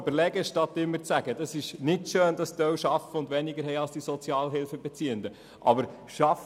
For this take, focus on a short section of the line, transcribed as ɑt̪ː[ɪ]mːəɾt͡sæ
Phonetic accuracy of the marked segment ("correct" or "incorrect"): correct